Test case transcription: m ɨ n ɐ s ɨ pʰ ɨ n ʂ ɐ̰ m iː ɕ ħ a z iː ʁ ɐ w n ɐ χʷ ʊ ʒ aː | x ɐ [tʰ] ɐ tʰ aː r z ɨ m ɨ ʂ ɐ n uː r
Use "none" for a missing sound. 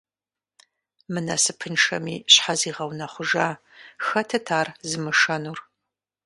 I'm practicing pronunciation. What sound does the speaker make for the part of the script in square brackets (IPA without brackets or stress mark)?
tʰ